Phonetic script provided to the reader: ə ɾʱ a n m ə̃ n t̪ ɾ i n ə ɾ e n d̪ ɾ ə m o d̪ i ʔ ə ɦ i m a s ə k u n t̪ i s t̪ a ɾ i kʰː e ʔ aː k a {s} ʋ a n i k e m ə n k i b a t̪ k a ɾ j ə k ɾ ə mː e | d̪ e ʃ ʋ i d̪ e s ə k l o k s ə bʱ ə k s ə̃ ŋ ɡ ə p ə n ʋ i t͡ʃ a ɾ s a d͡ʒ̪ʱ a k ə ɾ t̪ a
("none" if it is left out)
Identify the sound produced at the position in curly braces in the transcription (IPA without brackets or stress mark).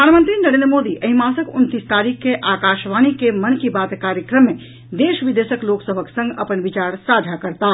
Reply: ʃ